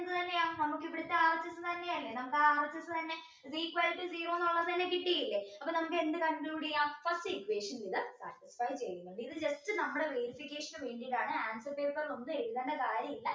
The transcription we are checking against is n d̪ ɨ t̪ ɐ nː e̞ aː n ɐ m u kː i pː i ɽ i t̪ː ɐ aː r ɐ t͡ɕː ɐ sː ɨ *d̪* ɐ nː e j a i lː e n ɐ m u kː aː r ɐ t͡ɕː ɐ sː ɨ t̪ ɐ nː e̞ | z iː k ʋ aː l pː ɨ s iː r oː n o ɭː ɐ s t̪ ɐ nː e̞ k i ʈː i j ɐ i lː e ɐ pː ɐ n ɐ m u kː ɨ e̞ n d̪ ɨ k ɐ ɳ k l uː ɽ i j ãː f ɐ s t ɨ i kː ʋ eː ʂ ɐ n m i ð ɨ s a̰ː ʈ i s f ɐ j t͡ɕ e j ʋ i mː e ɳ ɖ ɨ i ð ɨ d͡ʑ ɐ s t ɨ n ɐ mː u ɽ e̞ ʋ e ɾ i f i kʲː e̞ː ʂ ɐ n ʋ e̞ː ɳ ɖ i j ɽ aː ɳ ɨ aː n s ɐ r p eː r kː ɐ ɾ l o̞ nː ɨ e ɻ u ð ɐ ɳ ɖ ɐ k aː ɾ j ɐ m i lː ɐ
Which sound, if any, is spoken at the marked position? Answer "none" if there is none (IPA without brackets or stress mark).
t̪